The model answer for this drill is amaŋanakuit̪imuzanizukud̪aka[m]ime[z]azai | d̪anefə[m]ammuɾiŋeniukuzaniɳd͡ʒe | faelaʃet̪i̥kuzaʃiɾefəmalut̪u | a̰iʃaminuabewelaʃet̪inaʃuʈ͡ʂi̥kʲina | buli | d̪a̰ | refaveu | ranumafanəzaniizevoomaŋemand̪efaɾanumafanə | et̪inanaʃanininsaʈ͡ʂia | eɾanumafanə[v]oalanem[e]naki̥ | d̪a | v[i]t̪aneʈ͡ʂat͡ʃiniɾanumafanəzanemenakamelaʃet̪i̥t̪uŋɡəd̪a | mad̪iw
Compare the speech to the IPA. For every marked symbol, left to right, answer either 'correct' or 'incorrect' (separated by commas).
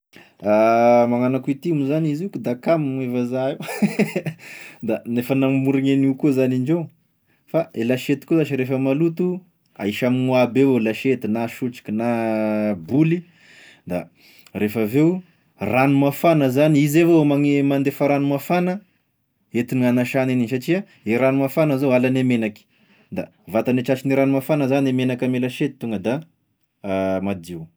correct, incorrect, incorrect, incorrect, correct, incorrect